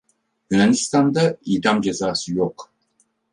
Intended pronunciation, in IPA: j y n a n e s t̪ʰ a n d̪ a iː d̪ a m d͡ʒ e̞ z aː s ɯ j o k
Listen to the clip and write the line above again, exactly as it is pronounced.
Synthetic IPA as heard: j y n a n i s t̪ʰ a n d̪ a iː d̪ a m d͡ʒ e̞ z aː s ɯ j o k